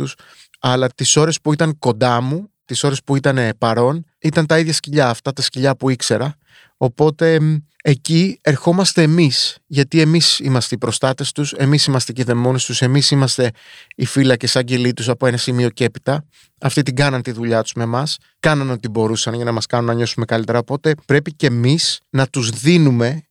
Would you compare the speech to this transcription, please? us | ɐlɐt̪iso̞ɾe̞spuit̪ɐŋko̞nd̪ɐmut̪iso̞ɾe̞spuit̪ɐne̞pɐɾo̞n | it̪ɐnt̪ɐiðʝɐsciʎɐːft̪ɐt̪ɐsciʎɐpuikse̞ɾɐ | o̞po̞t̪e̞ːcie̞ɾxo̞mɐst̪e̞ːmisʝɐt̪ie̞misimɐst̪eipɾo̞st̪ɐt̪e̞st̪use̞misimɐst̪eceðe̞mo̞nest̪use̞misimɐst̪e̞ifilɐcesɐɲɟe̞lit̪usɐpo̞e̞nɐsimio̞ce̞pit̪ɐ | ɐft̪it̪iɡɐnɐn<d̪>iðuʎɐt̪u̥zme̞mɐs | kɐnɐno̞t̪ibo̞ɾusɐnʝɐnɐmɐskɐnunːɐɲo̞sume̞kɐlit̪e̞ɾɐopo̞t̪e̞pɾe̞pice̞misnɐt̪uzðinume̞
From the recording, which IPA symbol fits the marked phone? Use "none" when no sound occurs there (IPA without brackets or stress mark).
t̪